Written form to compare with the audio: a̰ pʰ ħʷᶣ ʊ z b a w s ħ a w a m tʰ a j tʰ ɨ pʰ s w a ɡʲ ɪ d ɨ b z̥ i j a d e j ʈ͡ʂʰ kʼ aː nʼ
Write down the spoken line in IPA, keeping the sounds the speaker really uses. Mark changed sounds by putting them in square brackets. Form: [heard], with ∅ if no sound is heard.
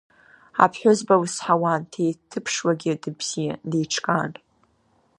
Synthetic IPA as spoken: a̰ pʰ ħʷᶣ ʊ z b a w s ħ a w a [n] tʰ [e] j tʰ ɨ pʰ [ʂ] w a ɡʲ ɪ d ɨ b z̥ i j a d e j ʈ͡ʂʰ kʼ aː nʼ